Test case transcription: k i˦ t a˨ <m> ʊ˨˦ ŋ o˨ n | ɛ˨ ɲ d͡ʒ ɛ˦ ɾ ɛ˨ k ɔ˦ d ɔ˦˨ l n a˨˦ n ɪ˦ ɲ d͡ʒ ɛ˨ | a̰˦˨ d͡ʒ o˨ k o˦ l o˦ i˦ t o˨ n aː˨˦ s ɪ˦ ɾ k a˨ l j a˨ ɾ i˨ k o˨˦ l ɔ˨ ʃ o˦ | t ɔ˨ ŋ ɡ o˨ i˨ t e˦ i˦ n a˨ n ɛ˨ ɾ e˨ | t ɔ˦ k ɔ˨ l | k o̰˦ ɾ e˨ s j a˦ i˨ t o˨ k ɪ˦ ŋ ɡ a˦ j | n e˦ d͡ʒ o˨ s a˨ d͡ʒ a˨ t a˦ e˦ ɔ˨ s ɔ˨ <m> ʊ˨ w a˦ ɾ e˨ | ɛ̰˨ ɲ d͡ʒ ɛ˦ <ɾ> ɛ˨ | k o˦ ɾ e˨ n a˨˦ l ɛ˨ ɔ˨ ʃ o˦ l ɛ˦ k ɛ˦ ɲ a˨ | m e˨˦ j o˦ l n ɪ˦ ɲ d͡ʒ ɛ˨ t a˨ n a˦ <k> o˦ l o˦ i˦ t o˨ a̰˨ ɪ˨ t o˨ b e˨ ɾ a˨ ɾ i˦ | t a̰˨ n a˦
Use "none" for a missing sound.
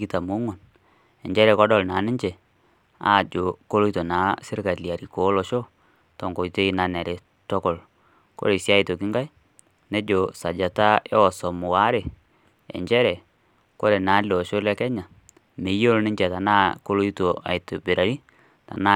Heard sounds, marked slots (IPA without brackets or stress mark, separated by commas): m, m, ɾ, k